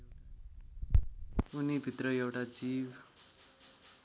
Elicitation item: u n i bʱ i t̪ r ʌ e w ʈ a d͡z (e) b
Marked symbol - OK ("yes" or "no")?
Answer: no